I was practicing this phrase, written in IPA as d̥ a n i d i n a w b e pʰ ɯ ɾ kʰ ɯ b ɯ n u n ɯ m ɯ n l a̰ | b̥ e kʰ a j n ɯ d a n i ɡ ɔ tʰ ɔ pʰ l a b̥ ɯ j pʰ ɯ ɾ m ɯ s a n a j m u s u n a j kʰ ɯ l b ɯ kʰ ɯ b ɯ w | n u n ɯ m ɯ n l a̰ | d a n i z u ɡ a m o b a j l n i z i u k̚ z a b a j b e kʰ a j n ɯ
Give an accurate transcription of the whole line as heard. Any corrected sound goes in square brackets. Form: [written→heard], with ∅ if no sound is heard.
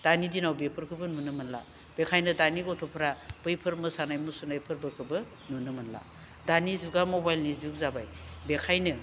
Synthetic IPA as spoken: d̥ a n i d i n a w b e pʰ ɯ ɾ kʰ ɯ b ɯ n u n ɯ m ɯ n l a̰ | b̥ e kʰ a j n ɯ d a n i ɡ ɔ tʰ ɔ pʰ [l→ɾ] a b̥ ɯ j pʰ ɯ ɾ m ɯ s a n a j m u s u n a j [kʰ→pʰ] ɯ [l→ɾ] b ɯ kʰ ɯ b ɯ [w→∅] | n u n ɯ m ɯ n l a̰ | d a n i z u ɡ a m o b a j l n i z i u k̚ z a b a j b e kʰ a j n ɯ